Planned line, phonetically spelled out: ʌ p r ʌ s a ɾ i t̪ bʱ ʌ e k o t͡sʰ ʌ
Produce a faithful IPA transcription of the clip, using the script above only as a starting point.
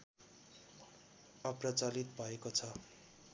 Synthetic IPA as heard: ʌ p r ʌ t͡s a l i t̪ bʱ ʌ e k o t͡sʰ ʌ